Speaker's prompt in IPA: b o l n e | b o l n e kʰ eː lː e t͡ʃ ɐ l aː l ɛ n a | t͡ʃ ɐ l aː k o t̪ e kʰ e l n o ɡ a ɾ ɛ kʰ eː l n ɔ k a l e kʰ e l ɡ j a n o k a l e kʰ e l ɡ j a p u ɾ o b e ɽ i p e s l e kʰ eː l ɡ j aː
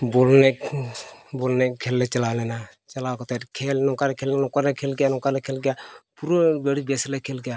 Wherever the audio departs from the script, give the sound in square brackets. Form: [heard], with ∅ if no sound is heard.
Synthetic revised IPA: b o l n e | b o l n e kʰ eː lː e t͡ʃ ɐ l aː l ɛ n a | t͡ʃ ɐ l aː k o t̪ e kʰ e l n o [k] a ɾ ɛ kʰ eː l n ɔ k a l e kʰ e l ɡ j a n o k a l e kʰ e l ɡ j a p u ɾ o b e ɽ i [b] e s l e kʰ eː l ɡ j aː